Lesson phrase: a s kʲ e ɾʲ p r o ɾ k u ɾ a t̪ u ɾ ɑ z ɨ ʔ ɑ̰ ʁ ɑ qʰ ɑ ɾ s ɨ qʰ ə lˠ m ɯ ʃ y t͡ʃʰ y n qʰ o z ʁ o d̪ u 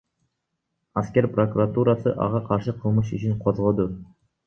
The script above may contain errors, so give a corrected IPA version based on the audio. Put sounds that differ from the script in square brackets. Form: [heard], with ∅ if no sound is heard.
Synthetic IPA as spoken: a s kʲ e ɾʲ p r o [∅] k u ɾ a t̪ u ɾ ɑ [s] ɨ ʔ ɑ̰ ʁ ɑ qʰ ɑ ɾ [ʃ] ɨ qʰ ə lˠ m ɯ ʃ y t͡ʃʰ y n qʰ o z ʁ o d̪ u